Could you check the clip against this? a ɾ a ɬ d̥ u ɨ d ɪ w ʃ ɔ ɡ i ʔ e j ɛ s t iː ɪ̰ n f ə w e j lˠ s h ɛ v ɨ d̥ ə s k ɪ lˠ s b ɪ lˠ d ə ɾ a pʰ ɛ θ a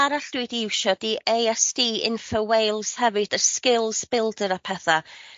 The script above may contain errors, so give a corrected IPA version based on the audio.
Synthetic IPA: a ɾ a ɬ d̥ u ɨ d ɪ w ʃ ɔ d i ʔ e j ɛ s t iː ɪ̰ n f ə w e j lˠ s h ɛ v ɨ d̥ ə s k ɪ lˠ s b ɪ lˠ d ə ɾ a pʰ ɛ θ a